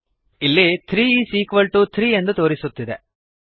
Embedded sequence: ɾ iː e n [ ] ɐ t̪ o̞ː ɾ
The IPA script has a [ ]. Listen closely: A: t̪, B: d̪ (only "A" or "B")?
B